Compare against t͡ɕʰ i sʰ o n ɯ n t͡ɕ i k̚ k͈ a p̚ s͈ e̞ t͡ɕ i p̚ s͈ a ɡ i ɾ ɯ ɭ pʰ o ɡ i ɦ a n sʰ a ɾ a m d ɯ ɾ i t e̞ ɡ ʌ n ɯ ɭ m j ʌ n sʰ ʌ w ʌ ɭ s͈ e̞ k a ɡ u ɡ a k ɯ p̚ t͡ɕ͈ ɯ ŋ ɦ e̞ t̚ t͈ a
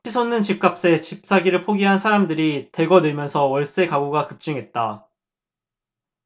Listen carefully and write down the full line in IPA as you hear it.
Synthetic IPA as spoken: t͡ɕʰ i sʰ o n ɯ n t͡ɕ i p̚ k͈ a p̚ s͈ e̞ t͡ɕ i p̚ s͈ a ɡ i ɾ ɯ ɭ pʰ o ɡ i ɦ a n sʰ a ɾ a m d ɯ ɾ i t e̞ ɡ ʌ n ɯ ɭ m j ʌ n sʰ ʌ w ʌ ɭ s͈ e̞ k a ɡ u ɡ a k ɯ p̚ t͡ɕ͈ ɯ ŋ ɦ e̞ t̚ t͈ a